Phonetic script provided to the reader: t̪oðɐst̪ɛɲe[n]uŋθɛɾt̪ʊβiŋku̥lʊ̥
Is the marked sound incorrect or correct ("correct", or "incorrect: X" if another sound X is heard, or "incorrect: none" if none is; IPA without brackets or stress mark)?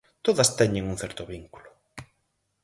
incorrect: ŋ